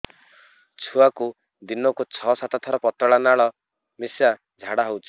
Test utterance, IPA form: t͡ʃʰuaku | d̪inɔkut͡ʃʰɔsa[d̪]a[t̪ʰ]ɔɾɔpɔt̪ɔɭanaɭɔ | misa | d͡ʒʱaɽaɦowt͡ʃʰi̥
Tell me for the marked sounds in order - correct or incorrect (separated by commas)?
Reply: incorrect, correct